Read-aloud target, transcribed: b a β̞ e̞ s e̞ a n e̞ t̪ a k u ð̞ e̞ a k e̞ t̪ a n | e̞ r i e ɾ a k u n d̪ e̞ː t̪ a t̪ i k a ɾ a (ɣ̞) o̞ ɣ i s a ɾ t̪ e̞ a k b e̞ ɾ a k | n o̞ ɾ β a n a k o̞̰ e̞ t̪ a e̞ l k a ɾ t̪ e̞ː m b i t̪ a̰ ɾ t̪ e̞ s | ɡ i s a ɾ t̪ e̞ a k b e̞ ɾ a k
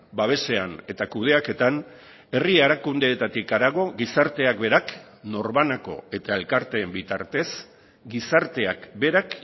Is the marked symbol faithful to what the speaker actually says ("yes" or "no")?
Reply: yes